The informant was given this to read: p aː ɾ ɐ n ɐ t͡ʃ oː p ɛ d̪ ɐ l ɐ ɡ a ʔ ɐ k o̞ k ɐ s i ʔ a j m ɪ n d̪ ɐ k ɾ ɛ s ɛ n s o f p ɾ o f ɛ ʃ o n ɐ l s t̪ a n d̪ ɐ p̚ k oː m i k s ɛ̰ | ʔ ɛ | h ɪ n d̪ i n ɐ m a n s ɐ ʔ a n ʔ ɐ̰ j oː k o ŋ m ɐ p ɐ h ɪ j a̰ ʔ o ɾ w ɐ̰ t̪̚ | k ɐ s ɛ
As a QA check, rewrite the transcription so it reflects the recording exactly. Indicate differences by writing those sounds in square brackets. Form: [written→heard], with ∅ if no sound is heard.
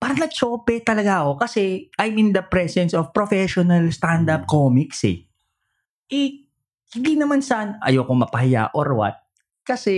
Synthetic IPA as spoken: p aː ɾ ɐ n ɐ t͡ʃ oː p ɛ [d̪→t̪] ɐ l ɐ ɡ a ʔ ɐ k o̞ k ɐ s [i→ɛ] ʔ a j m ɪ n d̪ ɐ [k→p] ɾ ɛ s ɛ n s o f p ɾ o f ɛ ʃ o n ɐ l s t̪ a n d̪ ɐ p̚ k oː m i k s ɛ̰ | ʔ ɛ | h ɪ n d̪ i n ɐ m a n s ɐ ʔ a n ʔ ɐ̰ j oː k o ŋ m ɐ p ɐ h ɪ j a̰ ʔ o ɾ w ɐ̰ t̪̚ | k ɐ s ɛ